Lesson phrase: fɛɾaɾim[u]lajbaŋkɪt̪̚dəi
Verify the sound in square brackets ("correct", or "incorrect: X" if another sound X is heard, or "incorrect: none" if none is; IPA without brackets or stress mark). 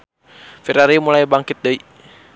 correct